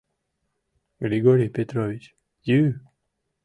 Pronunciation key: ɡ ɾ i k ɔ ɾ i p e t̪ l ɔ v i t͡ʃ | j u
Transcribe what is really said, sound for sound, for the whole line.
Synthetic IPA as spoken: ɡ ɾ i ɡ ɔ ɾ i p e t̪ ɾ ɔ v i t͡ʃ | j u